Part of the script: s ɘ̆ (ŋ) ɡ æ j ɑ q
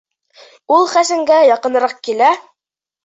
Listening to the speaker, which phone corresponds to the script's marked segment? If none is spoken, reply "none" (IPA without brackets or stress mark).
ŋ